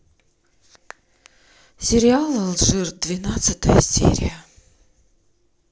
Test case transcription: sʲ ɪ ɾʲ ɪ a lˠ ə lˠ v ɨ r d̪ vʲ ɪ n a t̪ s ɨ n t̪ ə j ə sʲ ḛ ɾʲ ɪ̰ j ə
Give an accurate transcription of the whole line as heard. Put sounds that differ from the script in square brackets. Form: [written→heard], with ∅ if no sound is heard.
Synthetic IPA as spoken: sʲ ɪ ɾʲ ɪ a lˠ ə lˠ [v→ʐ] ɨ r d̪ vʲ ɪ n a t̪ s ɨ [n→∅] t̪ ə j ə sʲ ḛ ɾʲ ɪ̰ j ə